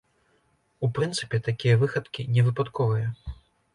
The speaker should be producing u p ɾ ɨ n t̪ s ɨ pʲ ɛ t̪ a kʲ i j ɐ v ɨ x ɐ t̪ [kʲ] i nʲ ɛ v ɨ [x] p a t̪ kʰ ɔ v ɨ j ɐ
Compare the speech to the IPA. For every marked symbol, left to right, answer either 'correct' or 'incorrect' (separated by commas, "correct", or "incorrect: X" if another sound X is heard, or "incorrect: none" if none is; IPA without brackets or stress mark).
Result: correct, incorrect: none